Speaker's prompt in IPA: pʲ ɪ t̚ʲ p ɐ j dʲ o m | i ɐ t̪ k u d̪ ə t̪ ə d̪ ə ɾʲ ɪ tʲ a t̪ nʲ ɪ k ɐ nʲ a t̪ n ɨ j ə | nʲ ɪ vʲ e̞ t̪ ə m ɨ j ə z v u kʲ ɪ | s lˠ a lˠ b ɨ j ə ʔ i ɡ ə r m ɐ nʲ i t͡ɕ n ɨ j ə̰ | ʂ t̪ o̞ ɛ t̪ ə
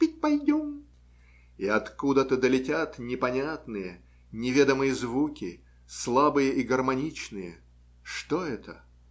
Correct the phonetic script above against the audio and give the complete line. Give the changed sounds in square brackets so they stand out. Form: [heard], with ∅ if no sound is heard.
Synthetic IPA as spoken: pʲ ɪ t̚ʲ p ɐ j dʲ o m | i ɐ t̪ k u d̪ ə t̪ ə d̪ ə [lʲ] ɪ tʲ a t̪ nʲ ɪ [p] ɐ nʲ a t̪ n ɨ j ə | nʲ ɪ vʲ e̞ [d̪] ə m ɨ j ə z v u kʲ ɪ | s lˠ a [∅] b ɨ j ə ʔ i ɡ ə r m ɐ nʲ i t͡ɕ n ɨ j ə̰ | ʂ t̪ o̞ ɛ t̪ ə

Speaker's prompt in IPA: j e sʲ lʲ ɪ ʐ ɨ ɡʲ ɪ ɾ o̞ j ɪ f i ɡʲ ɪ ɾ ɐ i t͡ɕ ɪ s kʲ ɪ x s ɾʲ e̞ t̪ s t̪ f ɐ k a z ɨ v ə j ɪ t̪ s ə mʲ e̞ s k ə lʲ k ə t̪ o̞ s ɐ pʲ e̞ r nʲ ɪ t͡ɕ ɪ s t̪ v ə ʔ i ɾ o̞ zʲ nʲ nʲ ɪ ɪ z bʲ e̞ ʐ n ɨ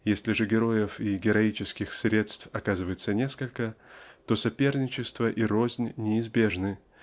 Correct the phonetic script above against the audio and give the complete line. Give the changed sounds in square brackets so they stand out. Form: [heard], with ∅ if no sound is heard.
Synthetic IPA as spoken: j e sʲ lʲ ɪ ʐ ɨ ɡʲ ɪ ɾ o̞ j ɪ f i ɡʲ ɪ ɾ ɐ i t͡ɕ ɪ s kʲ ɪ x s ɾʲ e̞ t̪ s t̪ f ɐ k a z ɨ v ə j ɪ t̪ s ə [nʲ] e̞ s k ə lʲ k ə t̪ o̞ s ɐ pʲ e̞ r nʲ ɪ t͡ɕ ɪ s t̪ v ə ʔ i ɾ o̞ zʲ nʲ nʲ ɪ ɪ z bʲ e̞ ʐ n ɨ

